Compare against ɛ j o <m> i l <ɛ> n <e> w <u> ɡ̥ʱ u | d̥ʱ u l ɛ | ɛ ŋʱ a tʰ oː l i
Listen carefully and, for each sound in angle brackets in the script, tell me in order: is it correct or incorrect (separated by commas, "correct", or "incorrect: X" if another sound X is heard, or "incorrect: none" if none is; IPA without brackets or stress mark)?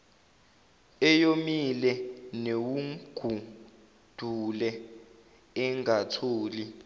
correct, correct, correct, correct